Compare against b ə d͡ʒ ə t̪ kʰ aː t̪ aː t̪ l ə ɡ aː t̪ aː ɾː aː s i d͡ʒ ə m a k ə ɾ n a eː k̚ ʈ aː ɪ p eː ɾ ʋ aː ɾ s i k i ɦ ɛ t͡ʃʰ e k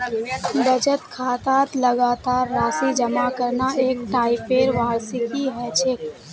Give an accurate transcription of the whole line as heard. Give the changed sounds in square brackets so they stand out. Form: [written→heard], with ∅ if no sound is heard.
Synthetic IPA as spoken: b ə d͡ʒ ə t̪ kʰ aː t̪ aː t̪ l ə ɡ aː t̪ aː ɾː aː s i d͡ʒ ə m a k ə ɾ n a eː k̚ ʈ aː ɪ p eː ɾ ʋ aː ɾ s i k i ɦ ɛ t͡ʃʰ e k